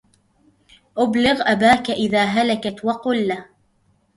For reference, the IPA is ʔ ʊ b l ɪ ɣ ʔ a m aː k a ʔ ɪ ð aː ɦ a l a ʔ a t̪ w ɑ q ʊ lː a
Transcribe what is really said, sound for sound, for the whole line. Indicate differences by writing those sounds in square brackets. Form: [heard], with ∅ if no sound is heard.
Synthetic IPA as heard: ʔ ʊ b l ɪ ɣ ʔ a [b] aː k a ʔ ɪ ð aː ɦ a l a [k] a t̪ w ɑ q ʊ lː a

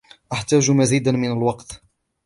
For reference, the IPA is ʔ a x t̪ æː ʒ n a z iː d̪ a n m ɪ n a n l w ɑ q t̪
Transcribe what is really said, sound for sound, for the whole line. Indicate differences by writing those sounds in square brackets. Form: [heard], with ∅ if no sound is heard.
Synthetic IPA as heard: ʔ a [ħ] t̪ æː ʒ [m] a z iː d̪ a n m ɪ n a [∅] l w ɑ q t̪

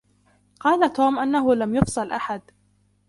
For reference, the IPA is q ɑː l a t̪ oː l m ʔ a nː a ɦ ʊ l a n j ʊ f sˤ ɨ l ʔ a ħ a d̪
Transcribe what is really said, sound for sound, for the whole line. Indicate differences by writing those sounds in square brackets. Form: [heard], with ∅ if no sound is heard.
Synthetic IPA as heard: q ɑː l a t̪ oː [∅] m ʔ a nː a ɦ ʊ l a [m] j ʊ f sˤ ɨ l ʔ a ħ a d̪

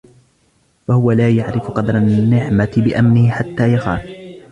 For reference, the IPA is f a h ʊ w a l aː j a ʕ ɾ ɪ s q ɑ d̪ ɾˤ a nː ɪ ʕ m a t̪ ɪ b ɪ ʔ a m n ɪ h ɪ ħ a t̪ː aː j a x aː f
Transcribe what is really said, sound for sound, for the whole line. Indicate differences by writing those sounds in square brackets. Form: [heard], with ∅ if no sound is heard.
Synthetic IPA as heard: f a h ʊ w a l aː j a ʕ ɾ ɪ [f] q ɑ d̪ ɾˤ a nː ɪ ʕ m a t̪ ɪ b ɪ ʔ a m n ɪ h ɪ ħ a t̪ː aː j a x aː f

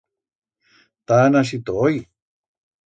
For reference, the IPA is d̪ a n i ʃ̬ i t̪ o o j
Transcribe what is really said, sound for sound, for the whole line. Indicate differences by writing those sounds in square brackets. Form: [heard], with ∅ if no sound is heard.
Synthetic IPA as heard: [t̪] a n [a] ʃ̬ i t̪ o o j

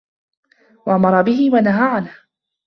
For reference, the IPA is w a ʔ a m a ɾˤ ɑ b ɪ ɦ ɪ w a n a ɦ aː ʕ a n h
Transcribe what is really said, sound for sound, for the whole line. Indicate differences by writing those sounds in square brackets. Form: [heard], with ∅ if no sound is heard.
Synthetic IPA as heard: w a ʔ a m [ɑ] ɾˤ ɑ b ɪ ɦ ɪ w a n a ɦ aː ʕ a n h

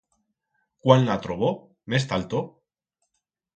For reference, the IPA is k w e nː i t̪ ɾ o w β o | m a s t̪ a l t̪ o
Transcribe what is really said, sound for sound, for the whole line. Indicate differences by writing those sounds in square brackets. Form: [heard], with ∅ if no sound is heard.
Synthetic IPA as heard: k w [a] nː [a] t̪ ɾ o [∅] β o | m [e] s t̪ a l t̪ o

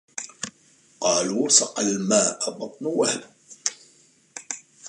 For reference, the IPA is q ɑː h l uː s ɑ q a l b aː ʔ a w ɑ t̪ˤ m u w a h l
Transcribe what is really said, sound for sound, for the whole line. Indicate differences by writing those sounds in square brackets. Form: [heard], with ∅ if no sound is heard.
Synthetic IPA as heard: q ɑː [∅] l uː s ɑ q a l [m] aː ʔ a [b] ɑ t̪ˤ [n] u w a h l

